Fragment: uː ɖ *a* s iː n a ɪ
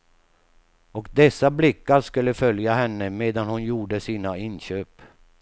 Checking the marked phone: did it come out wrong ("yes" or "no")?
yes